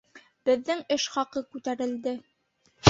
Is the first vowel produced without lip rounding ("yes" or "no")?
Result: yes